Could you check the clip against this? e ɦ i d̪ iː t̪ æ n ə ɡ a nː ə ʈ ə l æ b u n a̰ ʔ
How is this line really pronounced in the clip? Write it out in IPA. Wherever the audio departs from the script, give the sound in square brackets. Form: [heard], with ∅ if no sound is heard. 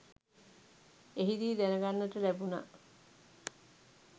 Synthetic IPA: e ɦ i d̪ iː [d̪] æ n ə ɡ a nː ə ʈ ə l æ b u n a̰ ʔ